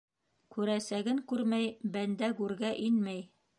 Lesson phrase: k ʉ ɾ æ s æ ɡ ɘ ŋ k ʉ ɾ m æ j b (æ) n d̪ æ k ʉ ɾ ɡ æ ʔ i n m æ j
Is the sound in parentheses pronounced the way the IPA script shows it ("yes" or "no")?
yes